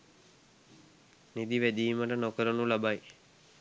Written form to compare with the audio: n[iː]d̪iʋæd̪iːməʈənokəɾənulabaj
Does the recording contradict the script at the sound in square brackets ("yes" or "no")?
yes